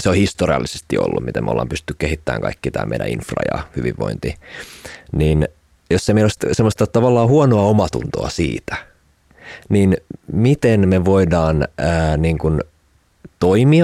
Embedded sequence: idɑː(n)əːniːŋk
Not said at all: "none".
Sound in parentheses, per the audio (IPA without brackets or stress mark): n